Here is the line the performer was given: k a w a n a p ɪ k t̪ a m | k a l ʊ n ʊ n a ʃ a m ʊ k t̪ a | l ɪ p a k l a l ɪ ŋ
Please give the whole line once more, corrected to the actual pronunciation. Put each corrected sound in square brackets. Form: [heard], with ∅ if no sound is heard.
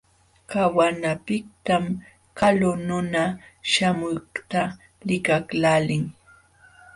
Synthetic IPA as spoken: k a w a n a p ɪ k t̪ a m | k a l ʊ n ʊ n a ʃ a m ʊ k t̪ a | l ɪ [k] a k l a l ɪ ŋ